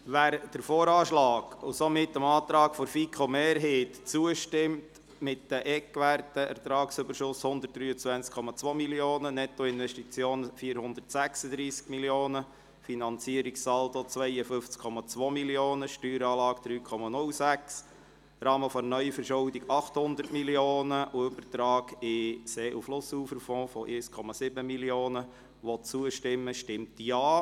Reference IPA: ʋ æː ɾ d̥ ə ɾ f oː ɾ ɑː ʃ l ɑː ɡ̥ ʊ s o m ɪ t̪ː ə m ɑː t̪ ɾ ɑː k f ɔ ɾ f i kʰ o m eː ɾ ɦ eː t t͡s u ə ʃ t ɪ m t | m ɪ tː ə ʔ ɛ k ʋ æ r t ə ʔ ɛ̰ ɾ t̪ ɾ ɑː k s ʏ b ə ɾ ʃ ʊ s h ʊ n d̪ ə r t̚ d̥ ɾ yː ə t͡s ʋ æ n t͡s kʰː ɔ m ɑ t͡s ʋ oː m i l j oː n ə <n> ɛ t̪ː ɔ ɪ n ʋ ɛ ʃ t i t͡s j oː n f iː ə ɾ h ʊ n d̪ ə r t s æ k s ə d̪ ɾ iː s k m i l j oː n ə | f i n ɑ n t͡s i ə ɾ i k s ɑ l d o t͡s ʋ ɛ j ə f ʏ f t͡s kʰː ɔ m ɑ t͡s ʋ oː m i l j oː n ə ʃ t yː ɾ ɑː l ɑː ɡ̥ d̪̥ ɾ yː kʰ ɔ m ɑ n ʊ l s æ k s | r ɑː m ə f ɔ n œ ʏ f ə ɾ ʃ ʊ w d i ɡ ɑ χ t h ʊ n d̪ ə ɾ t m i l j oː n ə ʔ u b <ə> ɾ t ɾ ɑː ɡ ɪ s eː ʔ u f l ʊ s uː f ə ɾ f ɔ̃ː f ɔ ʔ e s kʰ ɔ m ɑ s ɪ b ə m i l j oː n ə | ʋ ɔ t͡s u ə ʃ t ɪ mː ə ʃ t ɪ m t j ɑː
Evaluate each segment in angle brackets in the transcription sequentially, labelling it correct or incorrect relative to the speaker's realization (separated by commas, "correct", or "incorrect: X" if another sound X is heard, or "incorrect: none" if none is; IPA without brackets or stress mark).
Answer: correct, correct